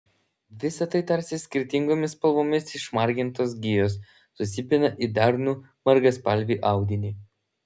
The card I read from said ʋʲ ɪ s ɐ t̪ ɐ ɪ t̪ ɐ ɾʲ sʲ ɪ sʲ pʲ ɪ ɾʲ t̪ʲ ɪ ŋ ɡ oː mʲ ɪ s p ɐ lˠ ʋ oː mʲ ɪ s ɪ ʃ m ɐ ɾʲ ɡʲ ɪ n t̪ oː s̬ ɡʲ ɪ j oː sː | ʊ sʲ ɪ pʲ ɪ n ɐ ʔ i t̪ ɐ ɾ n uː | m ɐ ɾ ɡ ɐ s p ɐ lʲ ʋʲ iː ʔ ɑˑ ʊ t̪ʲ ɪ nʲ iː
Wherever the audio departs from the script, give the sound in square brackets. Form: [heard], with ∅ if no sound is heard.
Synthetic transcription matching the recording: ʋʲ ɪ s ɐ t̪ ɐ ɪ t̪ ɐ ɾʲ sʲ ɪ sʲ [kʲ] ɪ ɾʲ t̪ʲ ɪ ŋ ɡ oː mʲ ɪ s p ɐ lˠ ʋ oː mʲ ɪ s ɪ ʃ m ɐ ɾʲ ɡʲ ɪ n t̪ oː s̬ ɡʲ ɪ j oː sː | ʊ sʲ ɪ pʲ ɪ n ɐ ʔ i [d̪] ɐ ɾ n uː | m ɐ ɾ ɡ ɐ s p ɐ lʲ ʋʲ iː ʔ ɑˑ ʊ [d̪ʲ] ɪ nʲ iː